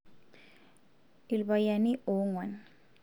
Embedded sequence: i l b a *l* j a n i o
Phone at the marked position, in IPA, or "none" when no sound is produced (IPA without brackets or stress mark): none